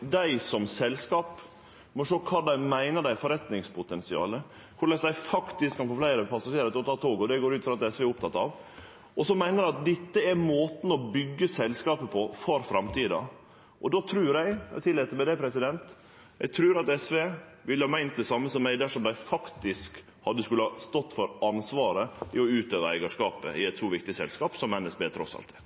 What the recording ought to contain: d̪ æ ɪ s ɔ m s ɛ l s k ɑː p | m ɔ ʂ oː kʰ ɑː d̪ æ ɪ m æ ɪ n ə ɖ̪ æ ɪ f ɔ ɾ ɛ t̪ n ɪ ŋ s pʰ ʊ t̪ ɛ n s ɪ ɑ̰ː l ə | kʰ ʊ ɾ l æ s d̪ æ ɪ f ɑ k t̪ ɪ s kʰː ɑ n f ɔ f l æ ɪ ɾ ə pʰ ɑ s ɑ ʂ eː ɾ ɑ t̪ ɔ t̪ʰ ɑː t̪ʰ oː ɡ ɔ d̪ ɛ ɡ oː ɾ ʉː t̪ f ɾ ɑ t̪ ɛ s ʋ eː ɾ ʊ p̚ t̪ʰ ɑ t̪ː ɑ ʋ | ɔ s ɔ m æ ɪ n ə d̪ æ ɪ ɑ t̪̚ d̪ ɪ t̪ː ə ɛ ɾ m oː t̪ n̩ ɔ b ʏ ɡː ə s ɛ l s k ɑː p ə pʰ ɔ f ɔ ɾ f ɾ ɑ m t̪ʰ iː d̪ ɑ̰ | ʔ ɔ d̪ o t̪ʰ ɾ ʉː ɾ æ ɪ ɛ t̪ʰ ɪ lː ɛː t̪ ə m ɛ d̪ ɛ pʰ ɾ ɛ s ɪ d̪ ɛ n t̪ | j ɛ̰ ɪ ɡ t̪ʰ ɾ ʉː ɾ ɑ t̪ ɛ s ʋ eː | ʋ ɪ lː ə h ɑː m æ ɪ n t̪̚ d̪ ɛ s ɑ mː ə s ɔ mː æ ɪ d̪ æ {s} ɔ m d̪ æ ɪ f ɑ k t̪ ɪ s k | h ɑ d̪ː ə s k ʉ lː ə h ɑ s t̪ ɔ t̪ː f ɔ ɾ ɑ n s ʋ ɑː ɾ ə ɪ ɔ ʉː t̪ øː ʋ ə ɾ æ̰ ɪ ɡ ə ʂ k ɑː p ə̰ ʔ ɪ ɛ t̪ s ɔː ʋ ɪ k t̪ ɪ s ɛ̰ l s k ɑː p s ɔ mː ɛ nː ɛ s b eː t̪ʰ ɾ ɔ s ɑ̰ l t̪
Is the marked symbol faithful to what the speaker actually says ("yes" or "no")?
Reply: no